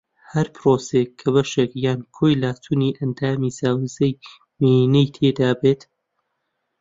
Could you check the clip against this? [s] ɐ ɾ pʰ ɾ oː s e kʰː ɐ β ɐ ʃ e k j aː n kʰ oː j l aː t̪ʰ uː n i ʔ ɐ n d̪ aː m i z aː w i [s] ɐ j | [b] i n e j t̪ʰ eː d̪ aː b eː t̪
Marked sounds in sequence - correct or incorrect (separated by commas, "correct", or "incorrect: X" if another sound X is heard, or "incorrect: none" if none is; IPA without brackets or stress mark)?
incorrect: h, incorrect: z, incorrect: m